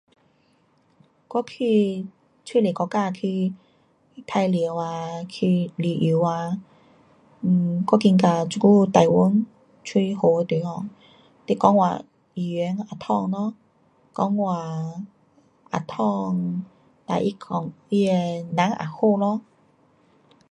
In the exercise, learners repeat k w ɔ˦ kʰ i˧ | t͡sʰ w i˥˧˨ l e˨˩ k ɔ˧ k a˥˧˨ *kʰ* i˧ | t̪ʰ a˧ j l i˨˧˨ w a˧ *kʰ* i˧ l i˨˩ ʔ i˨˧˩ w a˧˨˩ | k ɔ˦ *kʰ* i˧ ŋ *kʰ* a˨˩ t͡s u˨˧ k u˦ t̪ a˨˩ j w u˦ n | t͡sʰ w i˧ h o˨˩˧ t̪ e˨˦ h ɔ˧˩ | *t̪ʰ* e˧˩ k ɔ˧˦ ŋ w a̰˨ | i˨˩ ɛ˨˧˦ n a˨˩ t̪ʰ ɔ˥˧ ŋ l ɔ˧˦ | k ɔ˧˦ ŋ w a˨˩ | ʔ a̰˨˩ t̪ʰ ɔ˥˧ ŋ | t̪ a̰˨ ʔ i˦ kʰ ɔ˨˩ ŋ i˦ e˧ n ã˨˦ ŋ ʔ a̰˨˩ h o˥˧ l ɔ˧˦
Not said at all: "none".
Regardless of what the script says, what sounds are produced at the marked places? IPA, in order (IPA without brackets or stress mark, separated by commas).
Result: kʰ, kʰ, k, k, t̪